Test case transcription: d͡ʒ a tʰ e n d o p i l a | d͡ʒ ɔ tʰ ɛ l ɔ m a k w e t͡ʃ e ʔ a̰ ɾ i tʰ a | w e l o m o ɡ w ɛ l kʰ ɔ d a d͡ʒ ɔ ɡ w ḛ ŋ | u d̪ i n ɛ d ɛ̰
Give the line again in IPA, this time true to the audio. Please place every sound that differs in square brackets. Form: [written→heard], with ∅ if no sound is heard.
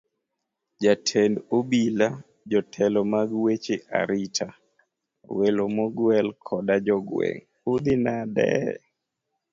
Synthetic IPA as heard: d͡ʒ a tʰ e n d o [p→b] i l a | d͡ʒ ɔ tʰ ɛ l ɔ m a [k→ɡ] w e t͡ʃ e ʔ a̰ ɾ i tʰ a | w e l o m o ɡ w ɛ l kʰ ɔ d a d͡ʒ ɔ ɡ w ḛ ŋ | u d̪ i n [ɛ→a] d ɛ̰